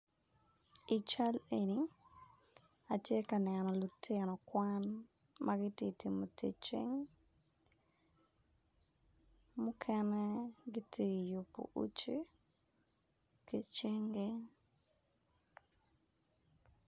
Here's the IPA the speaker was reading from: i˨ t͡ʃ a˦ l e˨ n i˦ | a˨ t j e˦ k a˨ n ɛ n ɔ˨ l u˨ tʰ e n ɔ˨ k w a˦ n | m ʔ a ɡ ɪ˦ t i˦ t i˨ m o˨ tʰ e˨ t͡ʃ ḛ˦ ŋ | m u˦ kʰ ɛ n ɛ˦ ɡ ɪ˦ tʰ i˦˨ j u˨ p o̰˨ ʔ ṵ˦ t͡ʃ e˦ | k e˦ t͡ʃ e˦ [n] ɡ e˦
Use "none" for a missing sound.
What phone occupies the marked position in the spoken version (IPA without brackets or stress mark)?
ŋ